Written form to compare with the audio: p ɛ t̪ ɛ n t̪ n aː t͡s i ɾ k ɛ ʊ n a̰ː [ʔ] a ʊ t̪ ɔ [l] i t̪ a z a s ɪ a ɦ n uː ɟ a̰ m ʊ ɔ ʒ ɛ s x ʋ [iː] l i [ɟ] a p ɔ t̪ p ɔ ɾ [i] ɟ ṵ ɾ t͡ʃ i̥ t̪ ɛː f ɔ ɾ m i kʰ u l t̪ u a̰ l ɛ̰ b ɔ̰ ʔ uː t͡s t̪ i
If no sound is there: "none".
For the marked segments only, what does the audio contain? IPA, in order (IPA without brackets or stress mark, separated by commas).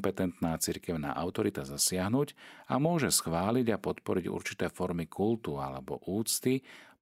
ʔ, ɾ, aː, ɟ, i